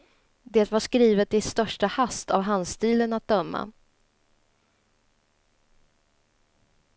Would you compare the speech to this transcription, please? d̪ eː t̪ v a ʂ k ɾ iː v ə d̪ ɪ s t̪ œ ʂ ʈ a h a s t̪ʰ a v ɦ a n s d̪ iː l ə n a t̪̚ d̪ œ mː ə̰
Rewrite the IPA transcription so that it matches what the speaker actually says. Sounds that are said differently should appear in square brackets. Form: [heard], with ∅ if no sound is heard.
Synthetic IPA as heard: d̪ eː t̪ v a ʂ k ɾ iː v ə [t̪] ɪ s t̪ œ ʂ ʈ a h a s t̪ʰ a v ɦ a n s [t̪] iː l ə n a t̪̚ d̪ œ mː [a̰]